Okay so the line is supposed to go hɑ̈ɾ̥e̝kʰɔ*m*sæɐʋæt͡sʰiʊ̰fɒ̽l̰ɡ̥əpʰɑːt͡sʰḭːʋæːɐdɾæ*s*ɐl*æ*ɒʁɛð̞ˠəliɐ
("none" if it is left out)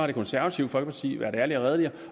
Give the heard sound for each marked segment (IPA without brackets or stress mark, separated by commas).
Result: n, none, i